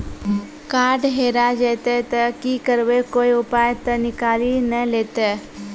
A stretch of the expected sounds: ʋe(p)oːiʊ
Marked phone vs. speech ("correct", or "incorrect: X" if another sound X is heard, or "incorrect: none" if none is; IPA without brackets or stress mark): incorrect: k